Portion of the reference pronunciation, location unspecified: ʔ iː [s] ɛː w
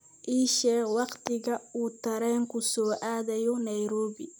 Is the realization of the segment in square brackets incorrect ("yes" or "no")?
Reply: yes